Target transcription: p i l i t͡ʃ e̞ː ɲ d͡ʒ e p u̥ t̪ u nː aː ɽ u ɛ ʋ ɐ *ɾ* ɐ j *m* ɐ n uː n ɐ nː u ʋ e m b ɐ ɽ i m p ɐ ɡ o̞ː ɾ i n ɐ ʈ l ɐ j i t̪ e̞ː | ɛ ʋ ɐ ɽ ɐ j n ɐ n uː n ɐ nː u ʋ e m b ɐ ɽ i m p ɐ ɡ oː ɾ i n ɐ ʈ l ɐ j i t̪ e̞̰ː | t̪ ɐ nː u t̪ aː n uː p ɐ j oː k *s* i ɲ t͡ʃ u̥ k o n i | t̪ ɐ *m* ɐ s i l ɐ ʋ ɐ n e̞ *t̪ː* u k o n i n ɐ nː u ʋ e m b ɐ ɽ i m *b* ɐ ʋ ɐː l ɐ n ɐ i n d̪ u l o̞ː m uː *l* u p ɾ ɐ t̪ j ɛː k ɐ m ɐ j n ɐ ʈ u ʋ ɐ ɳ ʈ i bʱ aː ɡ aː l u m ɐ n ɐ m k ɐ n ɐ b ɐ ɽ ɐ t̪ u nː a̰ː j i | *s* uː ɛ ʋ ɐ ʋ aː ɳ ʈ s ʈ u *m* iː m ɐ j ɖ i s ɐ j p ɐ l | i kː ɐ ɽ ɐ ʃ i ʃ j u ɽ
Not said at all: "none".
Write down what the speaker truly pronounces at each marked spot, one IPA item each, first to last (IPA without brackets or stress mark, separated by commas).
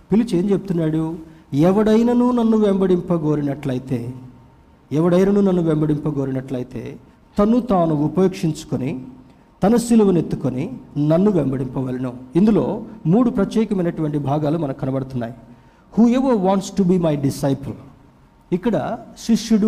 ɽ, n, ʂ, n, t̪ː, p, ɽ, h, b